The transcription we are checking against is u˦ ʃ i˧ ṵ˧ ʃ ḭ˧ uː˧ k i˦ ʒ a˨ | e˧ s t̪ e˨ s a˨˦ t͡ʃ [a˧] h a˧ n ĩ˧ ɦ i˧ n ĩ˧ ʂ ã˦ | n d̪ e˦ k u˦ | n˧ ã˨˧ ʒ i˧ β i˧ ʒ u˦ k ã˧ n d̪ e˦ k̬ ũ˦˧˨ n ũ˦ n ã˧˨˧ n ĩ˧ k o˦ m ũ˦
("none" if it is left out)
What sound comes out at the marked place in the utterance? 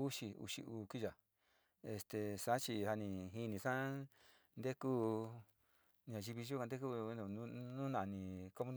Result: i˧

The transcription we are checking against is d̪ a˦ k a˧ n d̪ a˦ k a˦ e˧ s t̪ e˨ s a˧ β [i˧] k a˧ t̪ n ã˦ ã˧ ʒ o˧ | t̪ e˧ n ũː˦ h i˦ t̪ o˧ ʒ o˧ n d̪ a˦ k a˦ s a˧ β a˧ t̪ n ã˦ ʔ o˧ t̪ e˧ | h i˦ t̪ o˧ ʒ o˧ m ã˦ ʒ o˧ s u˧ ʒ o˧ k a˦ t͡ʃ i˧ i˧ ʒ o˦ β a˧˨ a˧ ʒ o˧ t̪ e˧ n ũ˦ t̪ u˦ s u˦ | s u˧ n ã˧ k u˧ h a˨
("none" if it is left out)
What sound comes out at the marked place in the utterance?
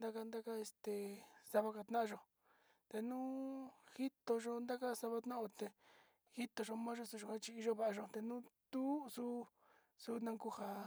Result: a˧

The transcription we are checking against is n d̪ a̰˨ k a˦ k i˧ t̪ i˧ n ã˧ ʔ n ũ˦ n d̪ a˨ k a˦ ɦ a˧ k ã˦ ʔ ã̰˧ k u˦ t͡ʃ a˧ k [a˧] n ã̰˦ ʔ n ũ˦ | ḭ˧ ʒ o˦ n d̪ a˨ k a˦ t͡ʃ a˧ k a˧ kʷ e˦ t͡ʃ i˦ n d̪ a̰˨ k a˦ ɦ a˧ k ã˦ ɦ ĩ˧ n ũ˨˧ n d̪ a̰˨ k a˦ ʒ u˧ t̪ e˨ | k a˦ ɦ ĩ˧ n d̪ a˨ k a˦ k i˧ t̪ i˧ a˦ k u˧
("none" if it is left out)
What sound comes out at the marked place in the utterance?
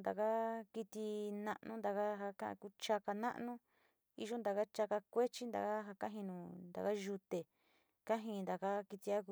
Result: a˧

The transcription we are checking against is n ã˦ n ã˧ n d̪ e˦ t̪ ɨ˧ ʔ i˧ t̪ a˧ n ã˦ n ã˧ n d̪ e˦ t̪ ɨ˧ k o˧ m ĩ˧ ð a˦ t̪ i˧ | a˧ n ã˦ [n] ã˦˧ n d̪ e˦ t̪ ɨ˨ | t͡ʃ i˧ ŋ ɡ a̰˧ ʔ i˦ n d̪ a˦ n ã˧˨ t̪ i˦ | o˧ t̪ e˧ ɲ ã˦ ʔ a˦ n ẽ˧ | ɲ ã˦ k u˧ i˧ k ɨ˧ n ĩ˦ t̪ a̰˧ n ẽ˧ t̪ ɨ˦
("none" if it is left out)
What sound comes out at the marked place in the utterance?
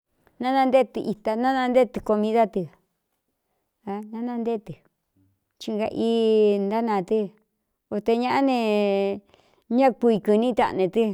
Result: n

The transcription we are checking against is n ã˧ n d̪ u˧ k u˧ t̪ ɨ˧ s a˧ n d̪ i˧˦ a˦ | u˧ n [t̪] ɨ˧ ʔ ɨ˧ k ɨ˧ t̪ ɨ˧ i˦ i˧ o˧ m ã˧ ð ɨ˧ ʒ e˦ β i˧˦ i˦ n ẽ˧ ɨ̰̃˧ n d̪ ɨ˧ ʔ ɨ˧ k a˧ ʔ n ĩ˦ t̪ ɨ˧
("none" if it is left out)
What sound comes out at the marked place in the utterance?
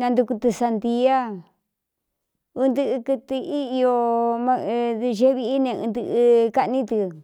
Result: d̪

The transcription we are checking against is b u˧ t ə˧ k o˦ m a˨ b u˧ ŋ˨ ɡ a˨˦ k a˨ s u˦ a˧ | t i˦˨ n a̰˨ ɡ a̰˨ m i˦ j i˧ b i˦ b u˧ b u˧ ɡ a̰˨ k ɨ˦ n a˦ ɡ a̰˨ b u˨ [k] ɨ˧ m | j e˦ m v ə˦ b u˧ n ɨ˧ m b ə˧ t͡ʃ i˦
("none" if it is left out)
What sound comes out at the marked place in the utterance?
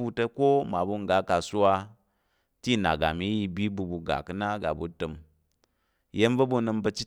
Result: t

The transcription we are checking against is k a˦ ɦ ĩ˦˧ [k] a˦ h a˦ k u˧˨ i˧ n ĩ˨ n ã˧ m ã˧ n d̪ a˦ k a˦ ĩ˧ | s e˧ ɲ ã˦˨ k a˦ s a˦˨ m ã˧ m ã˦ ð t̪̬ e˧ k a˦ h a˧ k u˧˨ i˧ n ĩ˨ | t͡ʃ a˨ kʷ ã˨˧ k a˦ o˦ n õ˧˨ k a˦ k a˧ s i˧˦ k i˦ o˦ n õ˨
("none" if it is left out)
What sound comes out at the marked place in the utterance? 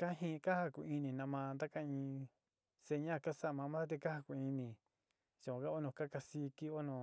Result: k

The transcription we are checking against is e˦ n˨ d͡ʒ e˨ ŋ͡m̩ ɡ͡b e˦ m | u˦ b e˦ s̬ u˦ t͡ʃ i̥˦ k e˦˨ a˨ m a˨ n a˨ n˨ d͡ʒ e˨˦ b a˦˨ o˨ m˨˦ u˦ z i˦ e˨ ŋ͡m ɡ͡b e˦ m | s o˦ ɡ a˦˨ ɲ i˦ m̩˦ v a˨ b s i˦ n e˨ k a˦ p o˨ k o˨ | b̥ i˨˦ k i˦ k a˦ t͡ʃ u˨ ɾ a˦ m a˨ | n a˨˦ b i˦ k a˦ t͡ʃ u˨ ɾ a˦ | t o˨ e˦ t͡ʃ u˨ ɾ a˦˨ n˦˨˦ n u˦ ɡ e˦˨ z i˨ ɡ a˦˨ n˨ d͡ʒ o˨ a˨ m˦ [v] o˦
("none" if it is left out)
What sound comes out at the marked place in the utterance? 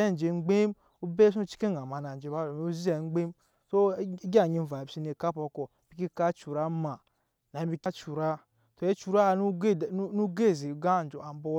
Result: b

